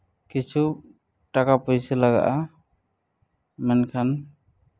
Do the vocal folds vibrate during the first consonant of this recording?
no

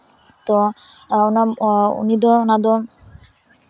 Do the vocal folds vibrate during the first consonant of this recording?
no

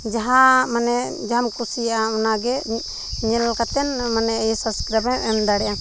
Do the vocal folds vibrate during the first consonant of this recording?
yes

